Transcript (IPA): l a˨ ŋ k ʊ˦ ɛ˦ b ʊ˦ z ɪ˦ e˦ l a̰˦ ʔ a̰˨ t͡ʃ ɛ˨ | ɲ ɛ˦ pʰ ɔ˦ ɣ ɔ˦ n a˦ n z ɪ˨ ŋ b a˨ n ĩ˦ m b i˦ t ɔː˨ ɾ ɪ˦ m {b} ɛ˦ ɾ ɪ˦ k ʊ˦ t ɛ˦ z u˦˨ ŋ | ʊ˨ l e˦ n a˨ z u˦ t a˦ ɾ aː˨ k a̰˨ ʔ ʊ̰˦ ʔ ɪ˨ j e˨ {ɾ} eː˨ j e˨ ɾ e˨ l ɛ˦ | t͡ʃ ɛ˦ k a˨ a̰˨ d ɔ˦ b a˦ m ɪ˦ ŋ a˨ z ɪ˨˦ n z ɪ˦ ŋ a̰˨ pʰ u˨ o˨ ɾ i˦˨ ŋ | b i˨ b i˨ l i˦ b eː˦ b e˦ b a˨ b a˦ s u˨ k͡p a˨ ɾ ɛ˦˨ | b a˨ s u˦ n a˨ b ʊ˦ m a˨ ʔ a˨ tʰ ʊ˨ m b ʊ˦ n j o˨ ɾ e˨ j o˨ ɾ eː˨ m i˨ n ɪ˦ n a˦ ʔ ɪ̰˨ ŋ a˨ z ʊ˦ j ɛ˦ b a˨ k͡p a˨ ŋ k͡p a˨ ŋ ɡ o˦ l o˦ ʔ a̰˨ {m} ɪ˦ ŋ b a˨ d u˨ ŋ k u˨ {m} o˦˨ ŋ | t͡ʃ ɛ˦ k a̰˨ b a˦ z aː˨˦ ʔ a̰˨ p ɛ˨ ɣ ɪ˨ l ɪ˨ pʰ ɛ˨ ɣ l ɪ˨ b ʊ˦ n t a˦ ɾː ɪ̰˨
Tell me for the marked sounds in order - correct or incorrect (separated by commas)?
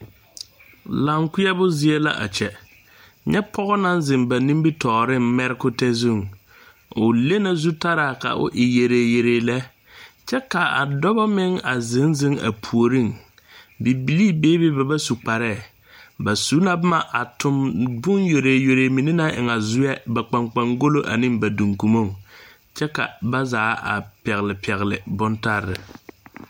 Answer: incorrect, correct, incorrect, correct